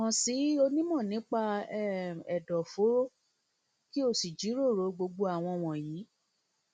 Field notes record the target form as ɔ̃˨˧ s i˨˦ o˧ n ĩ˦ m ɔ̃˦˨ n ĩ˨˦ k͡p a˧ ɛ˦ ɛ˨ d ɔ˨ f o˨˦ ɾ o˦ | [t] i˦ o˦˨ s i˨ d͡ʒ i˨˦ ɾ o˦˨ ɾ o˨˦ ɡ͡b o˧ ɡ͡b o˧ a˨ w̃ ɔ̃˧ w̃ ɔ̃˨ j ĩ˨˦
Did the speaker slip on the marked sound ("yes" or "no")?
yes